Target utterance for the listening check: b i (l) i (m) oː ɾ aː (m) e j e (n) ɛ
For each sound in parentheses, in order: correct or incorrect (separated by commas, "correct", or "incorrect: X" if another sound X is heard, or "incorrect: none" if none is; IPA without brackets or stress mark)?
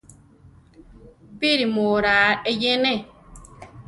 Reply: incorrect: ɾ, correct, incorrect: none, correct